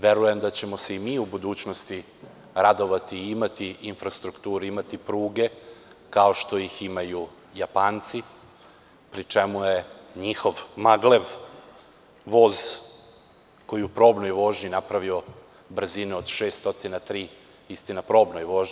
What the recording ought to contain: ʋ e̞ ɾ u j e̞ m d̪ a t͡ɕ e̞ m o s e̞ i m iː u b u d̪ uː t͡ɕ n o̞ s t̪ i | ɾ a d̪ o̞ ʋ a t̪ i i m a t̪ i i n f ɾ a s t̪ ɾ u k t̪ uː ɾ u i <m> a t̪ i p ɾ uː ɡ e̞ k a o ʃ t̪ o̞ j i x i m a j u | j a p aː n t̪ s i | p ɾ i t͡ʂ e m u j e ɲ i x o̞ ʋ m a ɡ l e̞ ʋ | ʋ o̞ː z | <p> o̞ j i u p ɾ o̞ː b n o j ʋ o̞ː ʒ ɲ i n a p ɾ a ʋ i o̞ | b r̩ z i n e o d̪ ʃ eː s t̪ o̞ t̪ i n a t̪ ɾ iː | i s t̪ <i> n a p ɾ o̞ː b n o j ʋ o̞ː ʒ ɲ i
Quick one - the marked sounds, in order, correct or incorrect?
correct, incorrect: k, correct

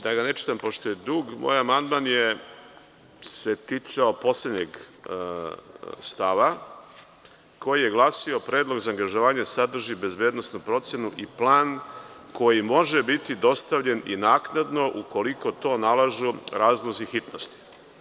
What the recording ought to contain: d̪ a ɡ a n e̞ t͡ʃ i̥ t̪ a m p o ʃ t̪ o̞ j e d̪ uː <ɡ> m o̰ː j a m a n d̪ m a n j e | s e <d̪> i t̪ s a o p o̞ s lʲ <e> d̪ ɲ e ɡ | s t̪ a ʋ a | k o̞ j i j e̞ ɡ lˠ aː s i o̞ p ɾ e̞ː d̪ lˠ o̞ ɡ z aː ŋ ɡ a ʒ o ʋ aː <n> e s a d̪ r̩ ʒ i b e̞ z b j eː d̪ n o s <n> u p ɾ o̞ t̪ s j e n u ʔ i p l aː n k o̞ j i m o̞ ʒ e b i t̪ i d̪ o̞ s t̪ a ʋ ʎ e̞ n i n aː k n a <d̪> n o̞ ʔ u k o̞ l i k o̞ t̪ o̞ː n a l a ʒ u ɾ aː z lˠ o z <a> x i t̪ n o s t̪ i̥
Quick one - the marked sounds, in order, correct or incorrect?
correct, incorrect: t̪, correct, incorrect: ɲ, correct, correct, incorrect: i

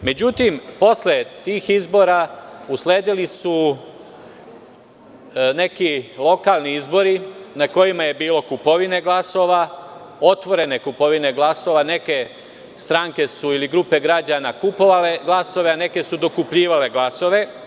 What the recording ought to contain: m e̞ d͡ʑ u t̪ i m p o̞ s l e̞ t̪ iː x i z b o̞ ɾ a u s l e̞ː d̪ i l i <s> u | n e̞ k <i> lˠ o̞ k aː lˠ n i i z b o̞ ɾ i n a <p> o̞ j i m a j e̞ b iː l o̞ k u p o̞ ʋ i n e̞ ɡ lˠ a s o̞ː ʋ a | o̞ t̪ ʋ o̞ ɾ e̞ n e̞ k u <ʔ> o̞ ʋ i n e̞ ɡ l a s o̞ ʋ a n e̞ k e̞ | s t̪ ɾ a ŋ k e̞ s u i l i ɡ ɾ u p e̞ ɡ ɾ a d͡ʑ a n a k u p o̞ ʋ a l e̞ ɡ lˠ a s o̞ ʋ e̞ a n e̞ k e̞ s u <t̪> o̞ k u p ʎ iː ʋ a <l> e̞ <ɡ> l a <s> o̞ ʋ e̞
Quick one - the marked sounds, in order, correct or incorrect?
correct, correct, incorrect: k, incorrect: p, incorrect: d̪, correct, correct, correct

